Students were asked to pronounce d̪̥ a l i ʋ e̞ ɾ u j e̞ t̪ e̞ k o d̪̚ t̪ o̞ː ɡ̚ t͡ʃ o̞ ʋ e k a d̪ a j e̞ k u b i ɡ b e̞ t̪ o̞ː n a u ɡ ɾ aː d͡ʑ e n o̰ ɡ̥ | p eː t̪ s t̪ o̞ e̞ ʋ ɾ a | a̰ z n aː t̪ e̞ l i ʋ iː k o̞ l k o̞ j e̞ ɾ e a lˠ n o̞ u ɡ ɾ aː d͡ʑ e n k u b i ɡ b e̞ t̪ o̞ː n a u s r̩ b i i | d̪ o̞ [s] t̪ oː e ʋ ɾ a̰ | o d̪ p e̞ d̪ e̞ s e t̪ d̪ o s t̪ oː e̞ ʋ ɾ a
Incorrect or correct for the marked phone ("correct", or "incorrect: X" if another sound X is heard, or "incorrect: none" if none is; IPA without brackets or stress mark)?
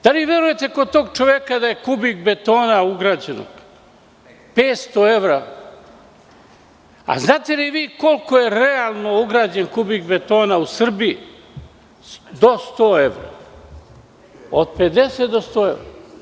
correct